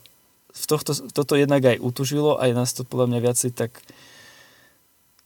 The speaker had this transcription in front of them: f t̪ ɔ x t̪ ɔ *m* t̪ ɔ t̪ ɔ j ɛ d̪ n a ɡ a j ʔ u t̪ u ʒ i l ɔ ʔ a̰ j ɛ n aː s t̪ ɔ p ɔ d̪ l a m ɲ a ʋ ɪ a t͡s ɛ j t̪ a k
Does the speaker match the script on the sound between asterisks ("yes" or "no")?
no